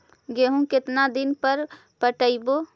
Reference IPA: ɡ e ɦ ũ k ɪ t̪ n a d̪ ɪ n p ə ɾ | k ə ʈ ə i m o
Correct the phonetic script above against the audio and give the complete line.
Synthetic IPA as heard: ɡ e ɦ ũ k ɪ t̪ n a d̪ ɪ n p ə ɾ | p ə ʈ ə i b o